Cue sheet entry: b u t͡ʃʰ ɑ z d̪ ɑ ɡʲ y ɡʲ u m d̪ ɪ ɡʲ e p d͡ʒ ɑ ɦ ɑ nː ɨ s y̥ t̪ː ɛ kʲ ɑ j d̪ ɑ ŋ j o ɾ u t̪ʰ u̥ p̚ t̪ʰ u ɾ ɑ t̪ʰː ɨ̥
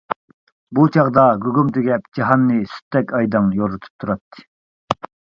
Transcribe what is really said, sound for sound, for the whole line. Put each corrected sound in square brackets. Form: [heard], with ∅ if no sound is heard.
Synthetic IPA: b u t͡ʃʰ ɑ [ʁ] d̪ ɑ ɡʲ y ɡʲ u m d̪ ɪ ɡʲ [ɛ] p d͡ʒ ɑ ɦ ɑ nː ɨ s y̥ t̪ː ɛ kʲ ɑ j d̪ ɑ ŋ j o ɾ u t̪ʰ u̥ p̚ t̪ʰ u ɾ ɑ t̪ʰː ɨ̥